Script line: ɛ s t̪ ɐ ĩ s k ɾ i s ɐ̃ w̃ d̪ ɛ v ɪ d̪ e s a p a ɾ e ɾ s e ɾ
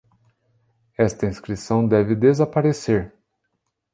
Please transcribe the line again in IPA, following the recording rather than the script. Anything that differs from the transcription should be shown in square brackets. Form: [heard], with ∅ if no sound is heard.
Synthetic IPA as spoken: ɛ s t̪ ɐ ĩ s k ɾ i s ɐ̃ w̃ d̪ ɛ v ɪ d̪ e [z] a p a ɾ e [∅] s e ɾ